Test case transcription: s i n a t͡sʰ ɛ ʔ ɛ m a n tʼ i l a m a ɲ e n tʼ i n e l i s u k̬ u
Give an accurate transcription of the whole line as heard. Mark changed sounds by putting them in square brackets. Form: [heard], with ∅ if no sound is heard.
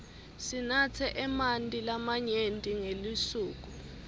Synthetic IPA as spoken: s i n a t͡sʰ ɛ ʔ ɛ m a n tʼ i l a m a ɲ e n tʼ i [ŋ] e l i s [uː] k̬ u